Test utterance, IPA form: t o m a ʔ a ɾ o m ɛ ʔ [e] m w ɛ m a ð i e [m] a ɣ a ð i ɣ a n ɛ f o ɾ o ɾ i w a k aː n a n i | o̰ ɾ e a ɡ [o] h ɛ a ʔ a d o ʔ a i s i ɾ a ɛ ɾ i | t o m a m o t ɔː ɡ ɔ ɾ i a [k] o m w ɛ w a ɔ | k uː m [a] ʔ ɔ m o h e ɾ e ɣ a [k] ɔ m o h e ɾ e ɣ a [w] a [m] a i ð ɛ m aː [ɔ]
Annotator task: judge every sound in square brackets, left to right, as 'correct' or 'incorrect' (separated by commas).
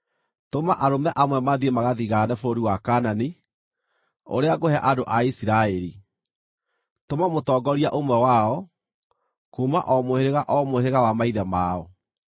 incorrect, correct, correct, incorrect, correct, incorrect, correct, correct, correct